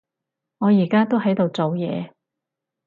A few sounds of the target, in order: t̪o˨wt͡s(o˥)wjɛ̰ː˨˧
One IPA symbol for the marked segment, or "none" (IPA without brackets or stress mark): o˨